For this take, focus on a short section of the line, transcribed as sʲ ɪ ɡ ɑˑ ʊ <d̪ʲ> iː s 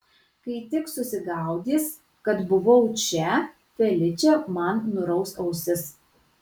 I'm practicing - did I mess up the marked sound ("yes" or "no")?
no